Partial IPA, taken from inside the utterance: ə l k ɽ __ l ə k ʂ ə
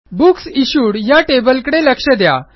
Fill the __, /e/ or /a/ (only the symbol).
e